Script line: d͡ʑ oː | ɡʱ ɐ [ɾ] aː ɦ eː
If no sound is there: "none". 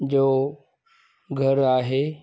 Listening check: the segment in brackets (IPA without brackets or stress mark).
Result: ɾ